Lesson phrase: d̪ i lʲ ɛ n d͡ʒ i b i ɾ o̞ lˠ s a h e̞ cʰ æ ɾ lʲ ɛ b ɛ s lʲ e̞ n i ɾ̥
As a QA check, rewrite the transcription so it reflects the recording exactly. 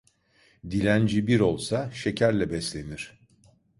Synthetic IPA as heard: d̪ i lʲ æ n d͡ʒ i b i ɾ o̞ lˠ s a ʃ e̞ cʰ æ ɾ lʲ ɛ b ɛ s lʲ e̞ n i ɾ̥